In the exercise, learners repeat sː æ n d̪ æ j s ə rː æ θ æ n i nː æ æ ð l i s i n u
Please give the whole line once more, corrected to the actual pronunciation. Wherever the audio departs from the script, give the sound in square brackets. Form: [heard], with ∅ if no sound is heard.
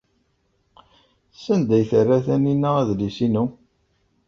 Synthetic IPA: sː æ n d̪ æ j [θ] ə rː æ θ æ n i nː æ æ ð l i s i n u